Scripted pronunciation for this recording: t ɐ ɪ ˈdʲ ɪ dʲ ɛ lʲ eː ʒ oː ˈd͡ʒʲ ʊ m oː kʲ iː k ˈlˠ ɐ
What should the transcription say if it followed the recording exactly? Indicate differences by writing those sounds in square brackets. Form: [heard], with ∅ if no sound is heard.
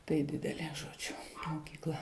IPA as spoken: t ɐ ɪ ˈdʲ ɪ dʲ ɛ lʲ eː ʒ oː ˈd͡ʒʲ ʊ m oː kʲ iː k ˈlˠ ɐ